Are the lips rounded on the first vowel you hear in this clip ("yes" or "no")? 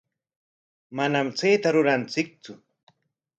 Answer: no